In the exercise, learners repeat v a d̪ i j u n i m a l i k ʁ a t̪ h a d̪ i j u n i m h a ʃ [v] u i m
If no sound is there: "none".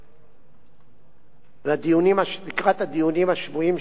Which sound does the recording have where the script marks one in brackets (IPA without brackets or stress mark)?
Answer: v